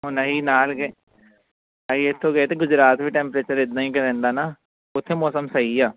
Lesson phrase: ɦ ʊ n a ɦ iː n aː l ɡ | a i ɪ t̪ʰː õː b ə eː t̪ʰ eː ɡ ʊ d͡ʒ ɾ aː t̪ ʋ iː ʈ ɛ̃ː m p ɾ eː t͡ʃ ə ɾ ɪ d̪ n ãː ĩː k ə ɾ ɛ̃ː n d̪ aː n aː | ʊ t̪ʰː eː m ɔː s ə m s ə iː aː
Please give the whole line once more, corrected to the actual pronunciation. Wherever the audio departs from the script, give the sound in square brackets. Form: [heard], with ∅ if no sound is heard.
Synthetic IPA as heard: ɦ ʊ n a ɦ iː n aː l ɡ | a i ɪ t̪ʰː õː [ɡ] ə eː [t̪] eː ɡ ʊ d͡ʒ ɾ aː t̪ ʋ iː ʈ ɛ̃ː m p ɾ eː t͡ʃ ə ɾ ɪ d̪ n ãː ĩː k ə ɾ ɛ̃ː n d̪ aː n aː | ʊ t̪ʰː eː m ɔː s ə m s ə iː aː